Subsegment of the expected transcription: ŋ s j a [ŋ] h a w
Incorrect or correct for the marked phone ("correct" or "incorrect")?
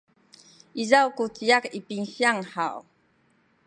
correct